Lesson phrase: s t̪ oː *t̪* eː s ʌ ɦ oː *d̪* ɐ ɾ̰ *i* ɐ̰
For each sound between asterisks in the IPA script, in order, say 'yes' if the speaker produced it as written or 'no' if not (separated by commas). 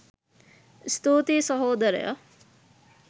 yes, yes, no